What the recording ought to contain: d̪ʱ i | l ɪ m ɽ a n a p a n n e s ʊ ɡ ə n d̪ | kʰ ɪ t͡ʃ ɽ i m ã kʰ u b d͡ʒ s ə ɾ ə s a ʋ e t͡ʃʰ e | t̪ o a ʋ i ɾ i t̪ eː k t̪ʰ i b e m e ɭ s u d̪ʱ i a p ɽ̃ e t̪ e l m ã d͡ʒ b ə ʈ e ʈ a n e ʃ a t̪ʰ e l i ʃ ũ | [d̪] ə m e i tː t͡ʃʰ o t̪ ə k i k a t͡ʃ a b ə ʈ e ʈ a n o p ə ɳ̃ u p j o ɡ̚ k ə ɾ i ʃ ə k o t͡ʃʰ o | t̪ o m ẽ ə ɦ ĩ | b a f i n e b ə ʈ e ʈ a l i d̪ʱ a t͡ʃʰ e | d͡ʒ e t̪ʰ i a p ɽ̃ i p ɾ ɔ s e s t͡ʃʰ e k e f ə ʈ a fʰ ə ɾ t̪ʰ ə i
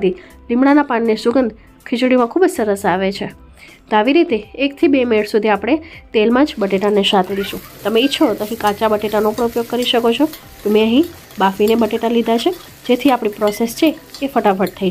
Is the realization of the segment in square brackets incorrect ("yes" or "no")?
yes